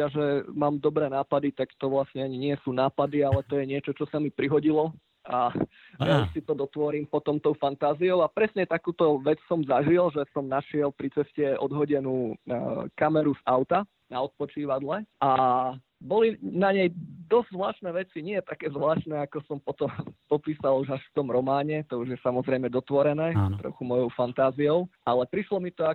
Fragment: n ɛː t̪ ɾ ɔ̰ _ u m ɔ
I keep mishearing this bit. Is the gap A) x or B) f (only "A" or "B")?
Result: A